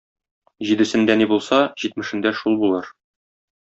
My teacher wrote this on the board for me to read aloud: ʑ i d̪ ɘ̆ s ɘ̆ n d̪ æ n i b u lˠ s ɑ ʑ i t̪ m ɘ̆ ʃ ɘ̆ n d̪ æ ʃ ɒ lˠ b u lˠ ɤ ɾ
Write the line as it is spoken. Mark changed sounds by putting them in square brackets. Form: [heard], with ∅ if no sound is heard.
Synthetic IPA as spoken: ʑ i d̪ ɘ̆ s ɘ̆ n d̪ æ n i b u lˠ s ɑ ʑ i t̪ m ɘ̆ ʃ ɘ̆ n d̪ æ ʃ [u] lˠ b u lˠ ɤ ɾ